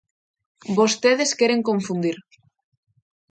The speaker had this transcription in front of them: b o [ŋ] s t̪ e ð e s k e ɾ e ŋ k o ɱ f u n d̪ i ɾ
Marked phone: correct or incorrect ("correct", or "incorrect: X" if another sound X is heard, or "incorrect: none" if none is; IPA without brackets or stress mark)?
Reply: incorrect: none